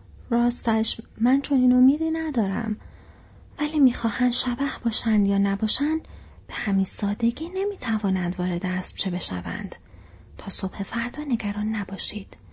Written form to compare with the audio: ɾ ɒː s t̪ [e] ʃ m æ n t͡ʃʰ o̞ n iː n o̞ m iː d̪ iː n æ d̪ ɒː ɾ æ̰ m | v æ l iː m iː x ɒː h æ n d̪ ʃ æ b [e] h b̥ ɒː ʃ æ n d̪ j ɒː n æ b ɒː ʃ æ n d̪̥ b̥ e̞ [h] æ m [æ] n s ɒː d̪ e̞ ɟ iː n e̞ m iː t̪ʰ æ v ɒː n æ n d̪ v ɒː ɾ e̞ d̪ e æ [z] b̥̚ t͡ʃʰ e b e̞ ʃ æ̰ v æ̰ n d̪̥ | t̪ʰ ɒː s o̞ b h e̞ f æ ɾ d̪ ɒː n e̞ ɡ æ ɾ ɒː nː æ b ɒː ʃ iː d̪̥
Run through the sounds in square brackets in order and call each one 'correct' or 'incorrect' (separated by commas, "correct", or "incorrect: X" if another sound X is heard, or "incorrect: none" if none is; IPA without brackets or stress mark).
incorrect: æ, incorrect: æ, correct, incorrect: i, incorrect: s